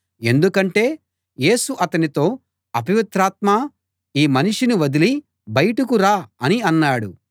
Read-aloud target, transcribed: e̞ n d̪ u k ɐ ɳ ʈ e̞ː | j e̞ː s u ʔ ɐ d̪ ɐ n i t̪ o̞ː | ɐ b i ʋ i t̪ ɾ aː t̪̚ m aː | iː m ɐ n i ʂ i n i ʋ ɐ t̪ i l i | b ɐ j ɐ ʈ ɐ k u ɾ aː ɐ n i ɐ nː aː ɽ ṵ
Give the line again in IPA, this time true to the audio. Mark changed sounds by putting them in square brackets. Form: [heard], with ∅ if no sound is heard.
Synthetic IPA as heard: e̞ n d̪ u k ɐ ɳ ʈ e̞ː | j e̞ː s u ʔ ɐ [t̪] ɐ n i t̪ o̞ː | ɐ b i ʋ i t̪ ɾ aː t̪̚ m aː | iː m ɐ n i ʂ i n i ʋ ɐ [d̪] i l i | b ɐ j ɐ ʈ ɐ k u ɾ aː ɐ n i ɐ nː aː ɽ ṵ